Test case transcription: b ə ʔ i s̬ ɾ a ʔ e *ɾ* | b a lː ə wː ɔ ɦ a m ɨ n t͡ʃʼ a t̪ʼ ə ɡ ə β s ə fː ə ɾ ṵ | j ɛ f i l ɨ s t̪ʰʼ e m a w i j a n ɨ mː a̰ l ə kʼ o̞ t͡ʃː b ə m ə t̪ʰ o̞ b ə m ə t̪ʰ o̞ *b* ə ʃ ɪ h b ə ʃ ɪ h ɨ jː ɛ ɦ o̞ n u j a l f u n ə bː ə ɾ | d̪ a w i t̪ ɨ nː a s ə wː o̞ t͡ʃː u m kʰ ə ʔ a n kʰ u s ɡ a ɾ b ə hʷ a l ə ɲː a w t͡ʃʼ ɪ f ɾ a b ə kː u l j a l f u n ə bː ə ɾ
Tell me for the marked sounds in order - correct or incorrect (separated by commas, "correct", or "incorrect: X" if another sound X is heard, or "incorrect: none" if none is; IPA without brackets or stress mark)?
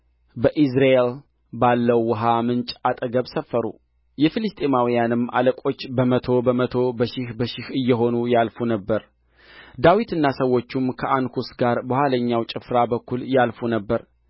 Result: incorrect: l, correct